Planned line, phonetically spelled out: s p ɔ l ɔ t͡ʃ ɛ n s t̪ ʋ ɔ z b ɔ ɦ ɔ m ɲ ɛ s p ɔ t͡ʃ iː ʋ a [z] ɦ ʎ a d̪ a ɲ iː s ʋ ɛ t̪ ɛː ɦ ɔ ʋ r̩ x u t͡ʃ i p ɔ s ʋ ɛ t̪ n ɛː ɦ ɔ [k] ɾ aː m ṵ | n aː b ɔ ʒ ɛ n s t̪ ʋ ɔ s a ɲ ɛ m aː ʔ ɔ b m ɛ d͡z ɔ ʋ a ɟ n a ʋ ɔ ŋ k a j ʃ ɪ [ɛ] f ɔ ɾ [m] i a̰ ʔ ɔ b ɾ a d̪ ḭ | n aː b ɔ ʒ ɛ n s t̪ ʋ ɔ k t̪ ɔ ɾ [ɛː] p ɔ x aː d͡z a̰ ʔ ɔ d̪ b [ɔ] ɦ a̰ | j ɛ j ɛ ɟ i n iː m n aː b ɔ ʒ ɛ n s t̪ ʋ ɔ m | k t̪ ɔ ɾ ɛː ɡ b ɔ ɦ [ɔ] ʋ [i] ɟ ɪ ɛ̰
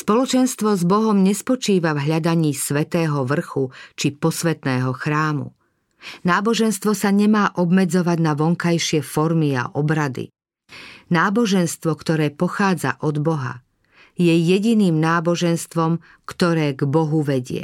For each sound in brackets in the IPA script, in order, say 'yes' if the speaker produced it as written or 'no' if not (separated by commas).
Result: no, no, yes, yes, yes, yes, no, no